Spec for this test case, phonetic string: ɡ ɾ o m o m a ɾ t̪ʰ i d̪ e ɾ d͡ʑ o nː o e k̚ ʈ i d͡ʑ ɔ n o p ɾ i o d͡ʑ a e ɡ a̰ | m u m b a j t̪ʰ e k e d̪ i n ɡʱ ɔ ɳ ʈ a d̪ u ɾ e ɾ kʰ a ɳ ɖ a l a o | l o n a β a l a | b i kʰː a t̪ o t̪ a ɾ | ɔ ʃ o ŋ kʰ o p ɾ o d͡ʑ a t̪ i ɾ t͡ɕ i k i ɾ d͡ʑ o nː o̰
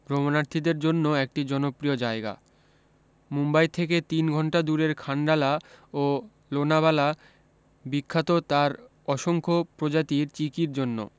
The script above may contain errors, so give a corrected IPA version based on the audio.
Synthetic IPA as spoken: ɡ ɾ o m o n a ɾ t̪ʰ i d̪ e ɾ d͡ʑ o nː o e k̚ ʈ i d͡ʑ ɔ n o p ɾ i o d͡ʑ a e ɡ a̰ | m u m b a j t̪ʰ e k e t̪ i n ɡʱ ɔ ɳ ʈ a d̪ u ɾ e ɾ kʰ a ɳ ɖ a l a o | l o n a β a l a | b i kʰː a t̪ o t̪ a ɾ | ɔ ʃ o ŋ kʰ o p ɾ o d͡ʑ a t̪ i ɾ t͡ɕ i k i ɾ d͡ʑ o nː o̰